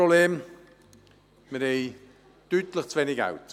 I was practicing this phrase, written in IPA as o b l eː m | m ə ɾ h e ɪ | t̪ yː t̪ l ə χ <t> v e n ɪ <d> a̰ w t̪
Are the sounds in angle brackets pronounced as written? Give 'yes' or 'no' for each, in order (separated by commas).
no, no